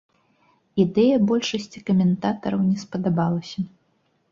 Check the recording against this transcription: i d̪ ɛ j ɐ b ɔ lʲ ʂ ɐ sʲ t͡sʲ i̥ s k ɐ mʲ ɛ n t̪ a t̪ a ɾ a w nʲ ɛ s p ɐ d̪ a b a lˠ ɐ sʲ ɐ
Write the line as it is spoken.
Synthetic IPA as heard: i d̪ ɛ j ɐ b ɔ lʲ ʂ ɐ sʲ t͡sʲ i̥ k ɐ mʲ ɛ n t̪ a t̪ ɐ ɾ ɐ w nʲ ɛ s p ɐ d̪ a b a lˠ ɐ sʲ ɐ